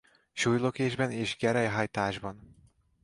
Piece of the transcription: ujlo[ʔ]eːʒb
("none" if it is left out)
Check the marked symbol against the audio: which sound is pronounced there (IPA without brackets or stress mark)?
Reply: k